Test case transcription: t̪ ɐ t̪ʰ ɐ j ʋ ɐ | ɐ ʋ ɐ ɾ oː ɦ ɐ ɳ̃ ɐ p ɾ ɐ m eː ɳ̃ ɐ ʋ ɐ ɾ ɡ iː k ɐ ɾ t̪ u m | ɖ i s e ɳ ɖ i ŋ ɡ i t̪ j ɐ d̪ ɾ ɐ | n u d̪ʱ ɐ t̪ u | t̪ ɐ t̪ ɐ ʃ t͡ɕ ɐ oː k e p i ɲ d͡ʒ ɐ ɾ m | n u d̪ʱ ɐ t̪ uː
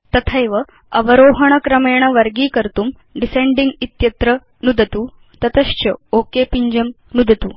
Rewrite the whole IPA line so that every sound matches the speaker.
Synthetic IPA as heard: t̪ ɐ t̪ʰ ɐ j ʋ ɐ | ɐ ʋ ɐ ɾ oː ɦ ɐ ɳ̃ ɐ k ɾ ɐ m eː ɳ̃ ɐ ʋ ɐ ɾ ɡ iː k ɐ ɾ t̪ u m | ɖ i s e ɳ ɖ i ŋ ɡ i t̪ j ɐ t̪ ɾ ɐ | n u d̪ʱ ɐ t̪ u | t̪ ɐ t̪ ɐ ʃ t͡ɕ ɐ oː k e p i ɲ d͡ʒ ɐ m | n u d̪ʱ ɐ t̪ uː